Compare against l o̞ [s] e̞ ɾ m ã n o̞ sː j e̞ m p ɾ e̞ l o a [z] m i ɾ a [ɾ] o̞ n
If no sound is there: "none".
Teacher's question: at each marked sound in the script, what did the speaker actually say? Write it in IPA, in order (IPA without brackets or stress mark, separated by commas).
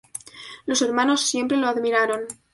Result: s, ð, ɾ